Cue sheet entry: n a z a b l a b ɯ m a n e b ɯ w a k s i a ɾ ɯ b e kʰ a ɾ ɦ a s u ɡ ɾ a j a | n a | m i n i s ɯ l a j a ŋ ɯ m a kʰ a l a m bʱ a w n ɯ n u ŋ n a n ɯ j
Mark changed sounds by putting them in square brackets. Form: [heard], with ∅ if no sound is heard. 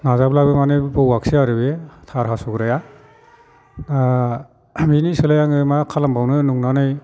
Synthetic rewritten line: n a z a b l a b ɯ m a n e b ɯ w a k s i a ɾ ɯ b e [tʰ] a ɾ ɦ a s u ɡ ɾ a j a | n a | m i n i s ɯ l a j a ŋ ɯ m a kʰ a l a m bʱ a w n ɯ n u ŋ n a n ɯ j